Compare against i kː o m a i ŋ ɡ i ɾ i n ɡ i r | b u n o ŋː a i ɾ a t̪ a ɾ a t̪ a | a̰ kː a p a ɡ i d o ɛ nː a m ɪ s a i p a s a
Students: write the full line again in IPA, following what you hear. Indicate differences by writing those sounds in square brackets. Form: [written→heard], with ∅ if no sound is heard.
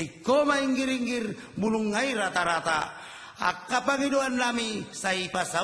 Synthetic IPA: i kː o m a i ŋ ɡ i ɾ i [n→ŋ] ɡ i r | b u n [o→u] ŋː a i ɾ a t̪ a ɾ a t̪ a | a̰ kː a p a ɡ i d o [ɛ→a] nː a m [ɪ→i] s a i p a s a